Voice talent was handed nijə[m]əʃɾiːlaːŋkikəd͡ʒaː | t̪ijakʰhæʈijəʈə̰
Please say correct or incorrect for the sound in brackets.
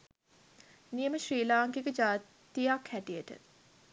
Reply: correct